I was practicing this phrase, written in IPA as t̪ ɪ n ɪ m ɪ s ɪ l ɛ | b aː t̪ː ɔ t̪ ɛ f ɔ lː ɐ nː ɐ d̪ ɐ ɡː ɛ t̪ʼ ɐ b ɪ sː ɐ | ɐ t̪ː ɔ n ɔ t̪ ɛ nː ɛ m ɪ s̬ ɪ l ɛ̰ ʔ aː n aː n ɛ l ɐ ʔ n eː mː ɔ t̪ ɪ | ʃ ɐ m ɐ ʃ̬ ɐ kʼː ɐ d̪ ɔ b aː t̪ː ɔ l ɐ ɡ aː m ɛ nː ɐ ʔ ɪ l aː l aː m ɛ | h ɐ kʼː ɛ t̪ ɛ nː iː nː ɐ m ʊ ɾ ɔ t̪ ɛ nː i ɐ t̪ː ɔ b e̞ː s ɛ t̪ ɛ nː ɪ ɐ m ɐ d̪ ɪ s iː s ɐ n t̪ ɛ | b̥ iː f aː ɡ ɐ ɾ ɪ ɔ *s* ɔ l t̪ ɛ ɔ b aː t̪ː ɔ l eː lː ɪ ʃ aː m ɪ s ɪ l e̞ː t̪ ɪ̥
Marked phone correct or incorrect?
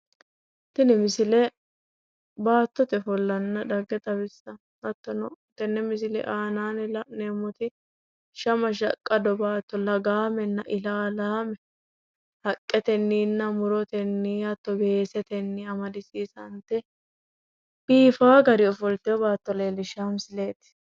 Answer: incorrect: f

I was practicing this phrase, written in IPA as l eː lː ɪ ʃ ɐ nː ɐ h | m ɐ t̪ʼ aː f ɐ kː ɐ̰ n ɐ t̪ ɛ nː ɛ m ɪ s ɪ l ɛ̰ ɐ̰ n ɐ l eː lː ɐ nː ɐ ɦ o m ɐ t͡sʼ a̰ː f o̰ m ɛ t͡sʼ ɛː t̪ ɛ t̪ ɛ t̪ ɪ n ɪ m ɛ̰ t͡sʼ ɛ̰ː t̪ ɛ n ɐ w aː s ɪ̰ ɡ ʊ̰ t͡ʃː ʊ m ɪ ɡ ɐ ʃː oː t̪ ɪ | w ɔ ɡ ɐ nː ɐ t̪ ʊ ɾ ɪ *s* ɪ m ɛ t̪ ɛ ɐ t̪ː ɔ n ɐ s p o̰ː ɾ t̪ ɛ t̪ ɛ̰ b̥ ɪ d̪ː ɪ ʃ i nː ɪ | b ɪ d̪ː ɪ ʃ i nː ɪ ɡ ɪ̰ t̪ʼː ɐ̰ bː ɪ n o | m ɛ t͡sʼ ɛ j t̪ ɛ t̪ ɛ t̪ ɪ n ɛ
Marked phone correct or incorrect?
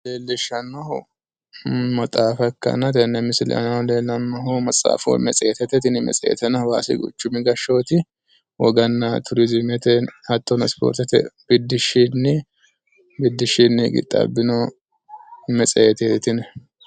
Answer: incorrect: z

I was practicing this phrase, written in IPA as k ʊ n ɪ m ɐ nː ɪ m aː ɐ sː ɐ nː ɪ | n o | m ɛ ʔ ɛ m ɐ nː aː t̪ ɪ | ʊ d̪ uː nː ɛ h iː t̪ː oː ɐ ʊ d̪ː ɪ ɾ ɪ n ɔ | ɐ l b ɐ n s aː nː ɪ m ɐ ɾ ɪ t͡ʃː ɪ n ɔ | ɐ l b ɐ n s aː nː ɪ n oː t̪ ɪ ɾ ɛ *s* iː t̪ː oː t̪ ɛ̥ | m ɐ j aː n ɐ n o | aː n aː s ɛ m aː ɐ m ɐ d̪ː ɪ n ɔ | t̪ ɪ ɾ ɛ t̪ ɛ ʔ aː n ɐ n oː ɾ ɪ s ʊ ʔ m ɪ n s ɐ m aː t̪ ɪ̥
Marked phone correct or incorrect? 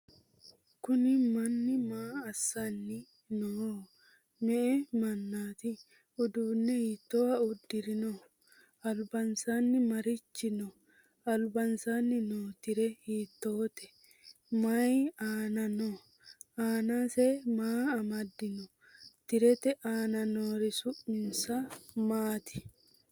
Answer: incorrect: h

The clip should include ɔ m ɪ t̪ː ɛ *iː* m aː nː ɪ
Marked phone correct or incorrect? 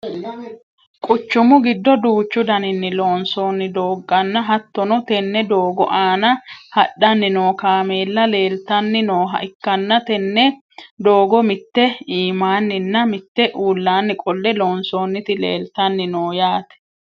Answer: correct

